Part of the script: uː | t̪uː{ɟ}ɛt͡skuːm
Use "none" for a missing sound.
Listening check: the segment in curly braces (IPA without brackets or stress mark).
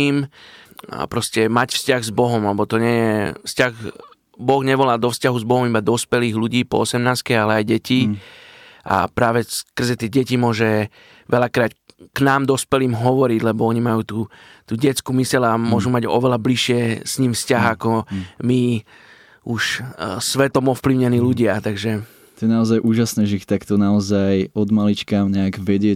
ɟ